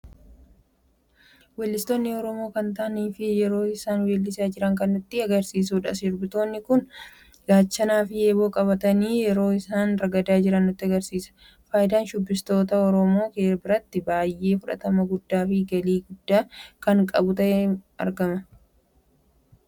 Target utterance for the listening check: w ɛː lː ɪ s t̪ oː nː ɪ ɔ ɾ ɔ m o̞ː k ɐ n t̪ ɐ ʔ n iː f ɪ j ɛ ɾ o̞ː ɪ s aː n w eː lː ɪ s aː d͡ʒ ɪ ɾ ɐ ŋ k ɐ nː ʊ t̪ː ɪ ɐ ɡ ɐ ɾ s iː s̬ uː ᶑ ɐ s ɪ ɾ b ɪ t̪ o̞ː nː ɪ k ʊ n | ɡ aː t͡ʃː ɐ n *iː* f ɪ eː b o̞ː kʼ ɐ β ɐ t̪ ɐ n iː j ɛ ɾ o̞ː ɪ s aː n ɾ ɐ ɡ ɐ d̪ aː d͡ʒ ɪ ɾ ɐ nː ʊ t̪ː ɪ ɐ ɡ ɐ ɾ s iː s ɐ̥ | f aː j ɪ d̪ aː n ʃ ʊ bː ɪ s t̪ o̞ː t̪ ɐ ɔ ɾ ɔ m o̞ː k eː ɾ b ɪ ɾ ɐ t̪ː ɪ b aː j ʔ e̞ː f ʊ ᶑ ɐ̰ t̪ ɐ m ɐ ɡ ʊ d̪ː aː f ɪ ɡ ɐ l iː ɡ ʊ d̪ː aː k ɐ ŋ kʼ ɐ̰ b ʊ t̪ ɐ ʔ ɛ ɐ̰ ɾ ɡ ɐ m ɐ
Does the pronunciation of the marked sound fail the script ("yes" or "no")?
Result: yes